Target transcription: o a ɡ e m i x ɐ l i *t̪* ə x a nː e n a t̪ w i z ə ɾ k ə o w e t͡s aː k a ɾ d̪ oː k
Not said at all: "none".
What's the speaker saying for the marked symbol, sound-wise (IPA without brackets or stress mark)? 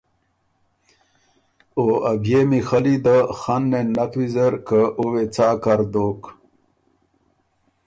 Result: d̪